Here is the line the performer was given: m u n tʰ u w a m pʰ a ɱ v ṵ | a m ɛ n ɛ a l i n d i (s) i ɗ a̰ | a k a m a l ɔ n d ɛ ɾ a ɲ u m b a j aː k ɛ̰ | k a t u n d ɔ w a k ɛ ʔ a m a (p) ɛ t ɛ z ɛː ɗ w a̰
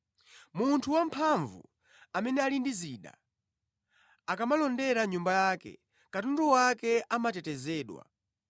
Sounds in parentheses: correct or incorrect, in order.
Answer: incorrect, incorrect

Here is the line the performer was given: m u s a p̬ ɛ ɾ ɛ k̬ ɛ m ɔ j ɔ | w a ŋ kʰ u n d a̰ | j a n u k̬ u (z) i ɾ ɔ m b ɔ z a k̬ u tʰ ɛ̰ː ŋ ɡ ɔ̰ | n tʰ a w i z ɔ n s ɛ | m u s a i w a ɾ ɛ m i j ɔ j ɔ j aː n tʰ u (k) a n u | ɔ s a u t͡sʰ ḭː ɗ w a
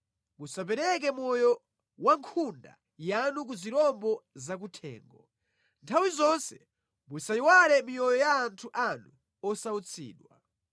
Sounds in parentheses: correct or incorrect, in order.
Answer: correct, incorrect

